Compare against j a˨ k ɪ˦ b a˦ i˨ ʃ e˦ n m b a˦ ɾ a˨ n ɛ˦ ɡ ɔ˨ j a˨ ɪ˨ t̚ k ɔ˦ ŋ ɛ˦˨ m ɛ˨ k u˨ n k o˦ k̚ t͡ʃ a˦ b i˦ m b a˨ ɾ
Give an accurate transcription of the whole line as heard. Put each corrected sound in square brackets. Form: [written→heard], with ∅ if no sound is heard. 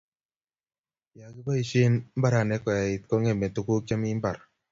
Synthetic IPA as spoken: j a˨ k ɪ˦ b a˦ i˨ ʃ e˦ n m b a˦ ɾ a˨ n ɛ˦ [ɡ→k] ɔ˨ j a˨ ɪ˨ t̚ k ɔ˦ ŋ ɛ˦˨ m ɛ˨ [k→t] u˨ [n→∅] k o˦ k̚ t͡ʃ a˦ [b→m] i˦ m b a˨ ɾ

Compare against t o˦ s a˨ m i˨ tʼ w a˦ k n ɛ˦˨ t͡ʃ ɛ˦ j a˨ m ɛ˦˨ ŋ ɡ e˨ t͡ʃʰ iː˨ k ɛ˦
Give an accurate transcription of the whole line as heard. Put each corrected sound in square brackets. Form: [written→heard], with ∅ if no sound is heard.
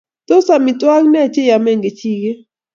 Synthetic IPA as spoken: t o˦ s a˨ m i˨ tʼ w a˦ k n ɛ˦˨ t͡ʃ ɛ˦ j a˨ m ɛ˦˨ ŋ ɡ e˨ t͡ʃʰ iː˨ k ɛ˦

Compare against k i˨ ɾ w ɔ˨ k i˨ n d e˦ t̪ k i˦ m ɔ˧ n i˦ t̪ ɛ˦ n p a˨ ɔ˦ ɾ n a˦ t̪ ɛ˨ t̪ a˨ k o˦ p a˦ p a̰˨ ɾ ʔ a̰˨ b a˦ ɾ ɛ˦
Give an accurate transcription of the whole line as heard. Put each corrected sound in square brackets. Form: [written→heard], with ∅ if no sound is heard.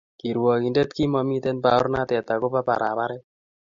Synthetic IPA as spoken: k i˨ ɾ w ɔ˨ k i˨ n d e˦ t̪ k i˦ m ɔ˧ [n→m] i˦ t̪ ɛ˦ n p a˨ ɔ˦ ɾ n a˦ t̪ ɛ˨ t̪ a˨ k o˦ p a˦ p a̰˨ ɾ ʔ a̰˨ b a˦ ɾ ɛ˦

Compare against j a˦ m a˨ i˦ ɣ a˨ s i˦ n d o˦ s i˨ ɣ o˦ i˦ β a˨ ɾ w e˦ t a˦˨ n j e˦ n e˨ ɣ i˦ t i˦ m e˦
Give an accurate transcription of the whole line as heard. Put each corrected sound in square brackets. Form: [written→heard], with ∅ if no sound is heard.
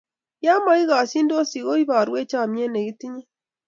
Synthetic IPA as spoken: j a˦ m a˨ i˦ ɣ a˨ s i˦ n d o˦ s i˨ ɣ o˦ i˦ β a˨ ɾ w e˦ [t→t͡ʃ] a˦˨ [n→m] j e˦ n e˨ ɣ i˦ t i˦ [m→ɲ] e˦

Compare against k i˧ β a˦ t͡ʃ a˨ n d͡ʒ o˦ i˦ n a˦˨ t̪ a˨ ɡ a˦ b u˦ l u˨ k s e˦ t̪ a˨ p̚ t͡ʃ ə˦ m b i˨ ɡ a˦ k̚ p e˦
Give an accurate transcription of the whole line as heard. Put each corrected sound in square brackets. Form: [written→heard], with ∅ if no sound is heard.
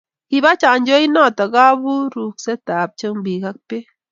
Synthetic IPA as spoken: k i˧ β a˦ t͡ʃ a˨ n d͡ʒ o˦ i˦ n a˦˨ t̪ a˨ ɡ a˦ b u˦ [l→ɾ] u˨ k s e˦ t̪ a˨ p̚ t͡ʃ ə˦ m b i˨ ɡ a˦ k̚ p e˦

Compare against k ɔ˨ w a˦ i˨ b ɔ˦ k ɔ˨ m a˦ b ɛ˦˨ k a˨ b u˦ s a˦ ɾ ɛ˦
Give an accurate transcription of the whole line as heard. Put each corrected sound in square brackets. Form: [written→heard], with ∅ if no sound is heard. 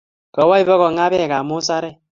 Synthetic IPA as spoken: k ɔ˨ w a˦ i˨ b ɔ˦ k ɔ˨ [m→ŋ] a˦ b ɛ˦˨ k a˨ [b→m] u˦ s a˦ ɾ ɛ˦

